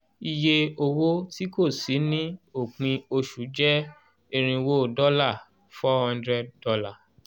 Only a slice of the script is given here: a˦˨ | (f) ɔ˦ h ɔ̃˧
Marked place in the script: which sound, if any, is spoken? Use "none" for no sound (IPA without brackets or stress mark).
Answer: f